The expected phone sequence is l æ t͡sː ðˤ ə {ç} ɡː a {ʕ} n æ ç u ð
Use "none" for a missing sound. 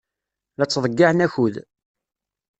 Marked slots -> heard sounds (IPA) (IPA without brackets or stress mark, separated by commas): none, ʕ